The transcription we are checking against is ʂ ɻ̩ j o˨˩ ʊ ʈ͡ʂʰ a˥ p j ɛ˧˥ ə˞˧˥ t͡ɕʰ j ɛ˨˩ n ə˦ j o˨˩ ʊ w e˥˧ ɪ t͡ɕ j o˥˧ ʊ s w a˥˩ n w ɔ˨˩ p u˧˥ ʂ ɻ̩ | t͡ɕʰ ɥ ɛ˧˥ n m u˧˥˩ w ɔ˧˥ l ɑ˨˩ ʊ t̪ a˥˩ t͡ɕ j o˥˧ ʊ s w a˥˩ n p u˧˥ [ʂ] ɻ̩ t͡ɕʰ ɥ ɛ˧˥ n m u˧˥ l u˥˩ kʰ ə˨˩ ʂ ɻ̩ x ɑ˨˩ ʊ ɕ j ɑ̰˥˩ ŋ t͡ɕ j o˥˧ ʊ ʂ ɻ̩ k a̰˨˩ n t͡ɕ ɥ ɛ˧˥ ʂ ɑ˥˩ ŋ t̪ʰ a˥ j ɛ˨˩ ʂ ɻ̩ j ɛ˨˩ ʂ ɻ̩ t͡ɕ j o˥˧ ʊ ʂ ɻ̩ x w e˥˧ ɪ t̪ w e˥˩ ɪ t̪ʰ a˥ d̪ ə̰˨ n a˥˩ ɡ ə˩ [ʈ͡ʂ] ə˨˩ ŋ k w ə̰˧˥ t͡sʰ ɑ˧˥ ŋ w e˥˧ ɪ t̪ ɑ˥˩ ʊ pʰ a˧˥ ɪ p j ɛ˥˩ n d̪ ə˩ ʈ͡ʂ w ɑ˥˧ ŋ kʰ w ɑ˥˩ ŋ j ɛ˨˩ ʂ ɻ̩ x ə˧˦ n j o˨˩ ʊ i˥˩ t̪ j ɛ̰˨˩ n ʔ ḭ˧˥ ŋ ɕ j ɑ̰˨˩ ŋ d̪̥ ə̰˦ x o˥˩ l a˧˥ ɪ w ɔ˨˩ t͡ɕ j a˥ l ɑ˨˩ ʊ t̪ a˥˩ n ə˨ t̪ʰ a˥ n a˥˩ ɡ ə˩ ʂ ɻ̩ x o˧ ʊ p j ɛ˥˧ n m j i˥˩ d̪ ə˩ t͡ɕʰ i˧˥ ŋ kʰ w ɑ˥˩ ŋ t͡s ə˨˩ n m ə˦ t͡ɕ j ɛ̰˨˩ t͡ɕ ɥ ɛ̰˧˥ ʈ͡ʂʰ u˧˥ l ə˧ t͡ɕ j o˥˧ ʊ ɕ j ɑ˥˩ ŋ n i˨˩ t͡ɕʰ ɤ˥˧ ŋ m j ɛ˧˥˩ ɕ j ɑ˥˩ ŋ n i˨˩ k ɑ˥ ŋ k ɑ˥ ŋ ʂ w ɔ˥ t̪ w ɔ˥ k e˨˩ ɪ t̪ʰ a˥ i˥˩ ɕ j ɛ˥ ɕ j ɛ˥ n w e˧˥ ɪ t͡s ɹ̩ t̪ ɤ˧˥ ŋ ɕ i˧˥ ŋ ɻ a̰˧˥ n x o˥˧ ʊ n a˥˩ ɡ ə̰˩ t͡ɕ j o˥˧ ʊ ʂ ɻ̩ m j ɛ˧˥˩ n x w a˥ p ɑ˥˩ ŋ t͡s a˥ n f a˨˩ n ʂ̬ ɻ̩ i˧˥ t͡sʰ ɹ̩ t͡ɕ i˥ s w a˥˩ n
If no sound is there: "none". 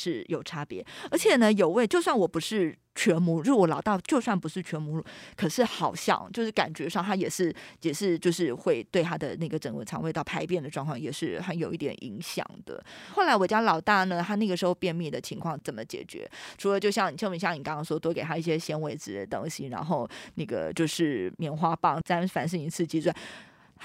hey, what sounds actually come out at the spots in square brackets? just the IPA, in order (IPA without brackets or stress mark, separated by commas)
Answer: ʂ, ʈ͡ʂ